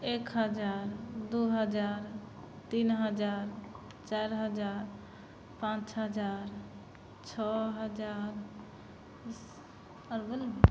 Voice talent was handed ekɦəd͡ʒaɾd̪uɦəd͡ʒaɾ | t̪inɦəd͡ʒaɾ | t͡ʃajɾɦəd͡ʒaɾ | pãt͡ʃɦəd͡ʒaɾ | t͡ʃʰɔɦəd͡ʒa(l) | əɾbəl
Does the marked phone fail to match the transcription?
yes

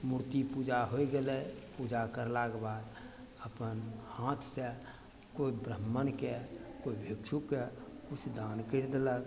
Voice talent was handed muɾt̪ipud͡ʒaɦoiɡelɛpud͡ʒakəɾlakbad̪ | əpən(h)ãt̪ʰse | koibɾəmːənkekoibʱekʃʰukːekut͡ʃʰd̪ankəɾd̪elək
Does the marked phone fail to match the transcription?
no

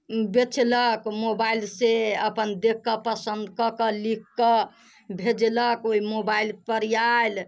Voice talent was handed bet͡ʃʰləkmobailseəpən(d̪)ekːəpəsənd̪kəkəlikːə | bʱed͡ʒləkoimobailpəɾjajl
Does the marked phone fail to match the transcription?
no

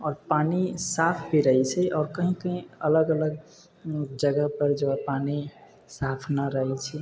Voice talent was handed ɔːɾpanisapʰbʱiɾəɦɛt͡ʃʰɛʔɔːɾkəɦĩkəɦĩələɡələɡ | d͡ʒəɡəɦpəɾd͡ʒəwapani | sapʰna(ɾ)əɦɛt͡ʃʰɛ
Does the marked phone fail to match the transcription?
no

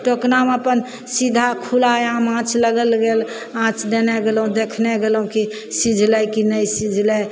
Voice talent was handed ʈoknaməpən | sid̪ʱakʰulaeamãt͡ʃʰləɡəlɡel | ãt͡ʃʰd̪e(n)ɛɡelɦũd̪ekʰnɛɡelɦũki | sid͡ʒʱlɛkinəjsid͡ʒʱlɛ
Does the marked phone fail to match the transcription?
no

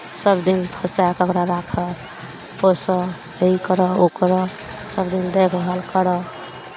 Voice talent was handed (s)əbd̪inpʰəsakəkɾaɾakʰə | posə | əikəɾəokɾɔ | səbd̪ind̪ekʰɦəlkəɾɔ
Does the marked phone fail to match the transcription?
no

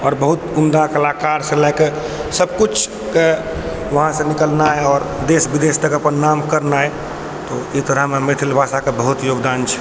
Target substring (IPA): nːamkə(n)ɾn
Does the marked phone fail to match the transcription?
yes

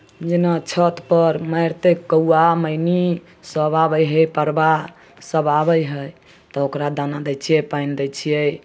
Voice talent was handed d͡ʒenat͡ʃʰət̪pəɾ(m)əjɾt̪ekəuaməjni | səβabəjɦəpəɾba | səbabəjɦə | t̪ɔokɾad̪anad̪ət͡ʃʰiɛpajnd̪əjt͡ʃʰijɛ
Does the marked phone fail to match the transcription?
no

